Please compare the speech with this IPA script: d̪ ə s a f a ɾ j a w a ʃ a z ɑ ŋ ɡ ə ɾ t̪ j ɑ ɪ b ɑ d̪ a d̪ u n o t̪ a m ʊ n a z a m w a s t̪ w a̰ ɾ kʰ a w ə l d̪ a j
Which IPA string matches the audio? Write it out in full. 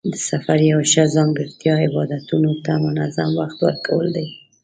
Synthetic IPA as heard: d̪ ə s a f a ɾ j a w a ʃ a z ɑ ŋ ɡ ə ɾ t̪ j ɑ ɪ b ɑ d̪ a t̪ u n o t̪ a m ʊ n a z a m w a x t̪ w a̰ ɾ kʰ a w ə l d̪ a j